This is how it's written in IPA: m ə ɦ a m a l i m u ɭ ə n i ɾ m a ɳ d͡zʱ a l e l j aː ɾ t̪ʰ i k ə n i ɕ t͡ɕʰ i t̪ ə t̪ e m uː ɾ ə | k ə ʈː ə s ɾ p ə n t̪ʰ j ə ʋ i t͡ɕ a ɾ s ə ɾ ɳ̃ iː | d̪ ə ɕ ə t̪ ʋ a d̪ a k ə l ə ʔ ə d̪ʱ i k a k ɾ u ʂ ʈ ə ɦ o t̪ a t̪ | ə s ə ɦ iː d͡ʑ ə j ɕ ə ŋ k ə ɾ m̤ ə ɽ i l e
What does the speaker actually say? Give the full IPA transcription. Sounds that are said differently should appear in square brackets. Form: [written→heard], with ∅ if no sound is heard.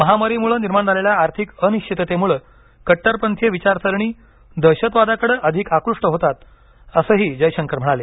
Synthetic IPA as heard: m ə ɦ a m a [l→ɾ] i m u ɭ ə n i ɾ m a ɳ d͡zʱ a l e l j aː ɾ t̪ʰ i k ə n i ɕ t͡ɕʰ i t̪ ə t̪ e m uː [ɾ→ɭ] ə | k ə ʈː ə [s→∅] ɾ p ə n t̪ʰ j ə ʋ i t͡ɕ a ɾ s ə ɾ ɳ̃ iː | d̪ ə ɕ ə t̪ ʋ a d̪ a k ə [l→ɽ] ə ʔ ə d̪ʱ i k a k ɾ u ʂ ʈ ə ɦ o t̪ a t̪ | ə s ə ɦ iː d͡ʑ ə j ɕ ə ŋ k ə ɾ m̤ ə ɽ [i→a] l e

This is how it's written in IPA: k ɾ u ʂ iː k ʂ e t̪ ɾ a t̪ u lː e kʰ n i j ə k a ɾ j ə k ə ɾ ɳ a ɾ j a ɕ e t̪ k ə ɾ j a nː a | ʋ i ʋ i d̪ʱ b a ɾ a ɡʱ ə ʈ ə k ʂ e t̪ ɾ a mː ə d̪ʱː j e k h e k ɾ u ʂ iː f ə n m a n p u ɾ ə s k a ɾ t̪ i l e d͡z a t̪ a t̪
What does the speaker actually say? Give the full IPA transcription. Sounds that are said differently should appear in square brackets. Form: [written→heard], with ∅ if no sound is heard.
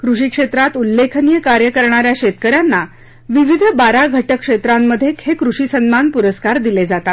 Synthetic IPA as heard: k ɾ u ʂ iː k ʂ e t̪ ɾ a t̪ u lː e kʰ n i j ə k a ɾ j ə k ə ɾ ɳ a ɾ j a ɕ e t̪ k ə ɾ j a nː a | ʋ i ʋ i d̪ʱ b a ɾ a ɡʱ ə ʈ ə k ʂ e t̪ ɾ a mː ə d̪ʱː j e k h e k ɾ u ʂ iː [f→s] ə n m a n p u ɾ ə s k a ɾ [t̪→d̪] i l e d͡z a t̪ a t̪

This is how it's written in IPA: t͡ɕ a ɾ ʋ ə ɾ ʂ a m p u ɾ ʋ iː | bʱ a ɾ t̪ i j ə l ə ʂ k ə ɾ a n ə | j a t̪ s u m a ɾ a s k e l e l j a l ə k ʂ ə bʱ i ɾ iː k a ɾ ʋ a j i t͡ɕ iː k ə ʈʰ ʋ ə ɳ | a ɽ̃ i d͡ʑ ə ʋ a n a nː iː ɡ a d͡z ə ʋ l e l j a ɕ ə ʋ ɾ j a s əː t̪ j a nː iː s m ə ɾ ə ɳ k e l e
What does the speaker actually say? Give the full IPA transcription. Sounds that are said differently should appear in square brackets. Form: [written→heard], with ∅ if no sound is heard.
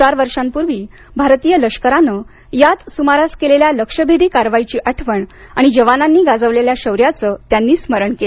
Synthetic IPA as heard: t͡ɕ a ɾ ʋ ə ɾ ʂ a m p u ɾ ʋ iː | bʱ a ɾ t̪ i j ə l ə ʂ k ə ɾ a n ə | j a t̪ s u m a ɾ a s k e l e l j a l ə k ʂ ə bʱ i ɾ iː k a ɾ ʋ a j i t͡ɕ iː [k→ʔ] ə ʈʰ ʋ ə ɳ | a ɽ̃ i d͡ʑ ə ʋ a n a nː iː ɡ a d͡z ə ʋ l e l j a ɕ ə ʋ ɾ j a [s→t͡s] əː t̪ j a nː iː s m ə ɾ ə ɳ k e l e

